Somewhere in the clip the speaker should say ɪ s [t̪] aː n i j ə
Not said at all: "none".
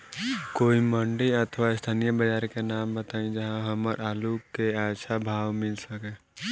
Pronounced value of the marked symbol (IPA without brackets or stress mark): t̪ʰ